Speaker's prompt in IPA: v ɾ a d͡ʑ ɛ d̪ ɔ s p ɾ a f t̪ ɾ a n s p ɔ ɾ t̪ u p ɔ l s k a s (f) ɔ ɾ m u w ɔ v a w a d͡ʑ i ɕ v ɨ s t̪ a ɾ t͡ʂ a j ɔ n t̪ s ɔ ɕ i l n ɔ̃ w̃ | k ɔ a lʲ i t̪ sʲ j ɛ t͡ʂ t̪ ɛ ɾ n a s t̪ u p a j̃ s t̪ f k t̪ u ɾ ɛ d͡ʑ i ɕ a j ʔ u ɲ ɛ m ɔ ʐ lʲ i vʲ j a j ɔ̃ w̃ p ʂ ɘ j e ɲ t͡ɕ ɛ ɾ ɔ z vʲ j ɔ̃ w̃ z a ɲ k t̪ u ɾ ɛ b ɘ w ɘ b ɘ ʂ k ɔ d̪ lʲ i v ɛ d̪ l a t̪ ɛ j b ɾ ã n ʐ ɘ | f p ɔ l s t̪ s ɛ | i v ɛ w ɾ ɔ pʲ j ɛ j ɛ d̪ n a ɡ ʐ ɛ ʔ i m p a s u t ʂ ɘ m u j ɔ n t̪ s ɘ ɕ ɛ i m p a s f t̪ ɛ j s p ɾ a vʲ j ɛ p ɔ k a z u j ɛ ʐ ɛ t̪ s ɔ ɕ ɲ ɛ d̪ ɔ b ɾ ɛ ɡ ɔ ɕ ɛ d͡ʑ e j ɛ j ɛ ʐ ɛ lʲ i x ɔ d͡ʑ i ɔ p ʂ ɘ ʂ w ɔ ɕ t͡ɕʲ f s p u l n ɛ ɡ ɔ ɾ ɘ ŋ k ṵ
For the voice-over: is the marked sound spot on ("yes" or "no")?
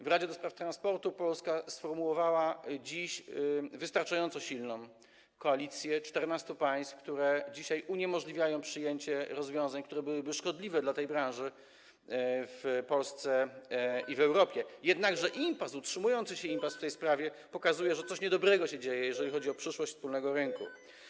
yes